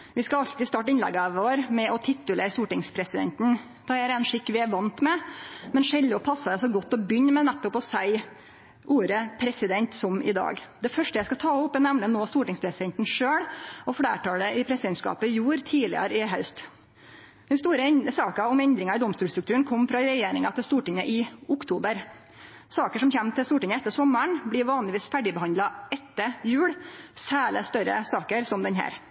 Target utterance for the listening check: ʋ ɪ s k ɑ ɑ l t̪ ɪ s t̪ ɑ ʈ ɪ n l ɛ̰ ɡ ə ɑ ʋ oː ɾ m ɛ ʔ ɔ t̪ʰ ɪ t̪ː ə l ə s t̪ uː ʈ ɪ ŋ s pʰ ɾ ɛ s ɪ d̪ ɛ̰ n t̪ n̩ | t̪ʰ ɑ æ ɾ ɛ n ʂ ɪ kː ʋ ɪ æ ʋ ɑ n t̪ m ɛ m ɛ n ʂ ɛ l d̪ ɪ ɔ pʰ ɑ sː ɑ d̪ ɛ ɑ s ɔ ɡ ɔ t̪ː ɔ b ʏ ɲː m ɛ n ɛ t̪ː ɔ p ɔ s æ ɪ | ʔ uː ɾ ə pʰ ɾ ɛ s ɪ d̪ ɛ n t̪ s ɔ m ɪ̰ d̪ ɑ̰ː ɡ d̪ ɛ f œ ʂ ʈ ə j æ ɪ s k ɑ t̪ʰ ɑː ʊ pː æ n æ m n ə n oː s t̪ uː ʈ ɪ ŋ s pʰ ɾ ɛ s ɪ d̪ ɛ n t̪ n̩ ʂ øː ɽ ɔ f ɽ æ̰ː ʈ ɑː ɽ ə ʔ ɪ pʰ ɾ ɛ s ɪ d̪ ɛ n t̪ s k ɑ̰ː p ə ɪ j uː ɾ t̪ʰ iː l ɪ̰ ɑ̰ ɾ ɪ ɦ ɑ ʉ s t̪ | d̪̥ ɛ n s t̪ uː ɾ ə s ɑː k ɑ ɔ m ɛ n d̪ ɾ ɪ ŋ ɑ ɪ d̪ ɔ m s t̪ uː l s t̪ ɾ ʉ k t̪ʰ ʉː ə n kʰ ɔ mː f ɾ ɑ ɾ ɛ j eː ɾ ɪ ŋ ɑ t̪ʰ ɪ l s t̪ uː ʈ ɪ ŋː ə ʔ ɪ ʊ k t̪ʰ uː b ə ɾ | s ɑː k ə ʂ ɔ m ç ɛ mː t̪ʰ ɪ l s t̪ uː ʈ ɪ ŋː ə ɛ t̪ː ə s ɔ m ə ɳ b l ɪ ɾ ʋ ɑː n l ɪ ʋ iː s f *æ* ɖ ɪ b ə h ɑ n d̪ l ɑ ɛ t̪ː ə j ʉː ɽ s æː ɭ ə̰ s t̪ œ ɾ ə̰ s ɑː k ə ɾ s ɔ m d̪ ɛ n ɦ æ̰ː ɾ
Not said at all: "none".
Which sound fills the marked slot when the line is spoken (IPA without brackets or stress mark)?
æ